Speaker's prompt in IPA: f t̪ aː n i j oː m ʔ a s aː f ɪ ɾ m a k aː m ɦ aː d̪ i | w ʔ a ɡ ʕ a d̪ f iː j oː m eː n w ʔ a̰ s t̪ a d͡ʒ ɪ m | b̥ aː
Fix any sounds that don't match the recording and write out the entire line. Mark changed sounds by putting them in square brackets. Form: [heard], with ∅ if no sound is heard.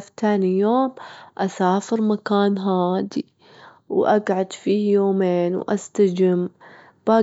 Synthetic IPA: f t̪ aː n i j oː m ʔ a s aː f ɪ ɾ m a k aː [n] ɦ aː d̪ i | w ʔ a ɡ ʕ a d̪ f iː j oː m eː n w ʔ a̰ s t̪ a d͡ʒ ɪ m | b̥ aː

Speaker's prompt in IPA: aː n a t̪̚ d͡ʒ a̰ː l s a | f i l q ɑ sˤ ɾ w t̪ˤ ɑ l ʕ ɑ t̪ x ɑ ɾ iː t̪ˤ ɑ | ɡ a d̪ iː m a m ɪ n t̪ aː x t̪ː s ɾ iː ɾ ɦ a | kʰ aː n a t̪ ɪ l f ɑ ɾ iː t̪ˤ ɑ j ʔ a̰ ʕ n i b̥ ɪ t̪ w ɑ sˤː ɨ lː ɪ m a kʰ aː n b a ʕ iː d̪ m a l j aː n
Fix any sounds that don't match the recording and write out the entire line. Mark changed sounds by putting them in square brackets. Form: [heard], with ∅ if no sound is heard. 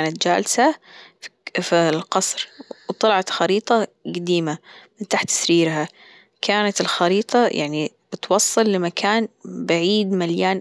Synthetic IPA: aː n a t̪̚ d͡ʒ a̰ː l s a | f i l q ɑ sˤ ɾ w t̪ˤ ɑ l ʕ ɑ t̪ x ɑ ɾ iː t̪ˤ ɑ | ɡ a d̪ iː m a m ɪ n t̪ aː [ħ] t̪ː s ɾ iː ɾ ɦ a | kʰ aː n a t̪ ɪ l [x] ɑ ɾ iː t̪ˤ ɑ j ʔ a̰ ʕ n i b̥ ɪ t̪ w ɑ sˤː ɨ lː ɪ m a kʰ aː n b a ʕ iː d̪ m a l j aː n

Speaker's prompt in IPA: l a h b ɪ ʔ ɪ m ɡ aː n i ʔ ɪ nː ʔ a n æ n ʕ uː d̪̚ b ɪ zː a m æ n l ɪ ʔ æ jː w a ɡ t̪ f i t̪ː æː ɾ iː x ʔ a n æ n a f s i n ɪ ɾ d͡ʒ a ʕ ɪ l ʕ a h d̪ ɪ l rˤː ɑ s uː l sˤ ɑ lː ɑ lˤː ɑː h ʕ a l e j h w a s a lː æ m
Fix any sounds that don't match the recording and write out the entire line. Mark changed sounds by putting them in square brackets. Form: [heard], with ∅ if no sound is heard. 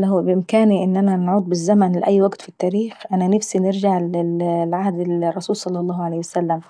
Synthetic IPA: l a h b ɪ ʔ ɪ m [k] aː n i ʔ ɪ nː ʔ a n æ n ʕ uː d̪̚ b ɪ zː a m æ n l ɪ ʔ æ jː w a ɡ t̪ f i t̪ː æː ɾ iː x ʔ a n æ n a f s i n ɪ ɾ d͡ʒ a ʕ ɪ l ʕ a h d̪ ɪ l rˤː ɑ s uː l sˤ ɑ lː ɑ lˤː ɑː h ʕ a l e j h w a s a lː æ m

